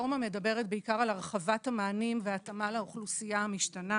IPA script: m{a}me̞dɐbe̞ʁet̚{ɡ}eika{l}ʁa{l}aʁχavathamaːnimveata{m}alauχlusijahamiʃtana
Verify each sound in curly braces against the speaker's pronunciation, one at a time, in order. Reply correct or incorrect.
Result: correct, incorrect, incorrect, correct, correct

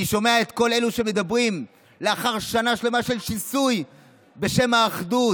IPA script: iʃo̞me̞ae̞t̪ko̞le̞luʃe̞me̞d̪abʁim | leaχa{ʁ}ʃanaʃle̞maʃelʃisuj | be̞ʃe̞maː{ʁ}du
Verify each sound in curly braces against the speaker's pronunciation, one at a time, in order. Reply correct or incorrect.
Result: correct, incorrect

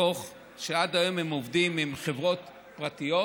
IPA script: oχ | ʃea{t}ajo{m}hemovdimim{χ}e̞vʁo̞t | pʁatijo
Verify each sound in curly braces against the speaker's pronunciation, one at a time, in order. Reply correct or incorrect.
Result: incorrect, correct, correct

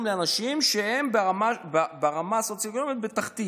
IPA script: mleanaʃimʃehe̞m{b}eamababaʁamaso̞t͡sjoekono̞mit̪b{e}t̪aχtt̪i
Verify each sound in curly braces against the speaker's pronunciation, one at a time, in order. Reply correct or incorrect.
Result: correct, correct

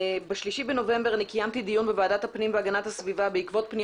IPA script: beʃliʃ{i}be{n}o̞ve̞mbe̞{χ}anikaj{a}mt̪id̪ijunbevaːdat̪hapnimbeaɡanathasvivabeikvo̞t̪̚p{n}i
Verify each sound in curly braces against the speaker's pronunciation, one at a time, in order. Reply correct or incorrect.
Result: correct, correct, incorrect, correct, correct

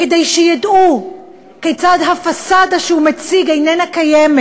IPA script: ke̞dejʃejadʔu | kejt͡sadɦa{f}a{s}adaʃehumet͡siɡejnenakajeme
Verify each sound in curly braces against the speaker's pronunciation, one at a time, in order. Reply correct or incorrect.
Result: correct, correct

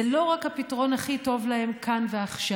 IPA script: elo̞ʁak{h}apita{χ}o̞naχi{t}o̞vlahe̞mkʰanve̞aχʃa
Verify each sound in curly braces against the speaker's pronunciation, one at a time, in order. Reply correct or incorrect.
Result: correct, incorrect, correct

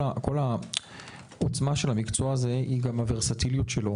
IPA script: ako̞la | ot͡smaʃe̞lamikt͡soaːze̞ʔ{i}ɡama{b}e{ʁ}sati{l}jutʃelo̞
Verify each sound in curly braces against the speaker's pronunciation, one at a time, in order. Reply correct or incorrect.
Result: correct, incorrect, correct, correct

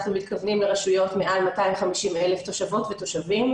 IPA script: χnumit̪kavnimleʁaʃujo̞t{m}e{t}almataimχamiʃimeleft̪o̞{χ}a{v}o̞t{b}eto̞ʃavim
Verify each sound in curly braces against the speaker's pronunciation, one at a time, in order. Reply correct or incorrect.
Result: correct, incorrect, incorrect, correct, incorrect

